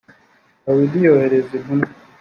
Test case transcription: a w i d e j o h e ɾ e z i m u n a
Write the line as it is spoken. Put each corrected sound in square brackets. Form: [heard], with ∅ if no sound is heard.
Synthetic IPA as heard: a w i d [i] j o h e ɾ e z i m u n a